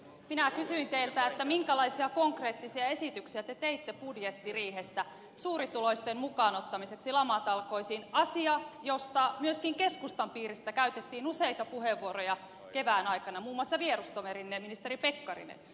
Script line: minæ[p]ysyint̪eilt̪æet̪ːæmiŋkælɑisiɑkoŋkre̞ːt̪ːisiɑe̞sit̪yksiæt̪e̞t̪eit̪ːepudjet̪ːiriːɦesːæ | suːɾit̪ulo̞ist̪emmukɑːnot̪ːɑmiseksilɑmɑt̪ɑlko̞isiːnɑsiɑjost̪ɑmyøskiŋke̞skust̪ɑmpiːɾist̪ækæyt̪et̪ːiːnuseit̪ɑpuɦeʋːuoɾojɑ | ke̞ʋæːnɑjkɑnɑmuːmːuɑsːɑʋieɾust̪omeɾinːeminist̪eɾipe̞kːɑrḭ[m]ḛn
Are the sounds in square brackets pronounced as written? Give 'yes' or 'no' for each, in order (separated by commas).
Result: no, no